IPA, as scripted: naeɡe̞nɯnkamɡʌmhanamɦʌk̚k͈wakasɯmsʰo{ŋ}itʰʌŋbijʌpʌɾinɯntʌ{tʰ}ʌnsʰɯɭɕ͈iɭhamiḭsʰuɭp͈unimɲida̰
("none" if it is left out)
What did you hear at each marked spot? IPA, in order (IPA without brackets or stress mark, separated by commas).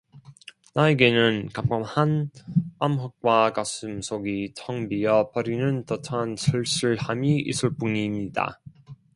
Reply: ɡ, tʰ